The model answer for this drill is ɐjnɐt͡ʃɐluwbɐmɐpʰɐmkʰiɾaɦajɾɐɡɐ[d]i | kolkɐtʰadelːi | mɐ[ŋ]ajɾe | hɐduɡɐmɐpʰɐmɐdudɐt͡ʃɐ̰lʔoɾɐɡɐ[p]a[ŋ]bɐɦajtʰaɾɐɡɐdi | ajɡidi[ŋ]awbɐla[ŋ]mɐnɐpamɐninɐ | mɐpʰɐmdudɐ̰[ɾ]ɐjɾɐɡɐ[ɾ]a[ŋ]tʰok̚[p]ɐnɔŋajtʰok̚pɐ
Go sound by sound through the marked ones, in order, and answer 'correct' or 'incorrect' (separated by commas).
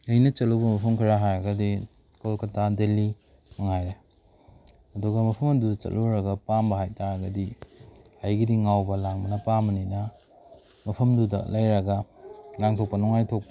correct, correct, correct, incorrect, correct, correct, incorrect, incorrect, correct, correct